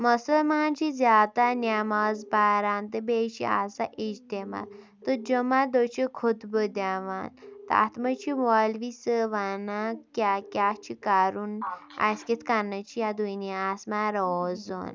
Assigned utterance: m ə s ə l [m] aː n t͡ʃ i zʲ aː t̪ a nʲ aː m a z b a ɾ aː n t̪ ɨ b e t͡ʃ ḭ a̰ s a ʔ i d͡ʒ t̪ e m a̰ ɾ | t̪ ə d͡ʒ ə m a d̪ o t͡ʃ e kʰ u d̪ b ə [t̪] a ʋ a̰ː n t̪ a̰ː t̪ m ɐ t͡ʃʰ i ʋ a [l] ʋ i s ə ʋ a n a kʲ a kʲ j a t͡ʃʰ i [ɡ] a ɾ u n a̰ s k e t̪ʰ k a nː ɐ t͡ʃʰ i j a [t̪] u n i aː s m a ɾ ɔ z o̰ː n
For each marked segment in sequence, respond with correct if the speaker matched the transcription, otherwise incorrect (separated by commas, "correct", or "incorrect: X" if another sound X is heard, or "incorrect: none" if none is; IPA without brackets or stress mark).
correct, incorrect: d̪, correct, incorrect: k, incorrect: d̪